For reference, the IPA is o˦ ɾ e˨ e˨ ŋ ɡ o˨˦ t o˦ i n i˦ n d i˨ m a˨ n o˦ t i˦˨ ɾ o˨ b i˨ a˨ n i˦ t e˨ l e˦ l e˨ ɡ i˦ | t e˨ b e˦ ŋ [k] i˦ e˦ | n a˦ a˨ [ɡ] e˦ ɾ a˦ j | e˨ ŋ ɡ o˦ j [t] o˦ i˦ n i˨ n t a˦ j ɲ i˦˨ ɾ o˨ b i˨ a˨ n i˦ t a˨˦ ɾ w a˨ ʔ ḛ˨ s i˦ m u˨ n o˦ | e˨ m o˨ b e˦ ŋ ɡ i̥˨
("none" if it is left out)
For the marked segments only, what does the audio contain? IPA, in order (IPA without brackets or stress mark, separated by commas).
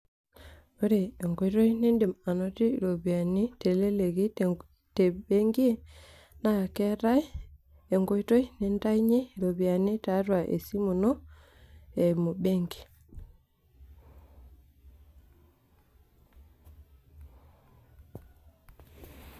ɡ, k, t